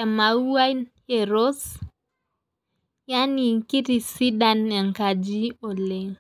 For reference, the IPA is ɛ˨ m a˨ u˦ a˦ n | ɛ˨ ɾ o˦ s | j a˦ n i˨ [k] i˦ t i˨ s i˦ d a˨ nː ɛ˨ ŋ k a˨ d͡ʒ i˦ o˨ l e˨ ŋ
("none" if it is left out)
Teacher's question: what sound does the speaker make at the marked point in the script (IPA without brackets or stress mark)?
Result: k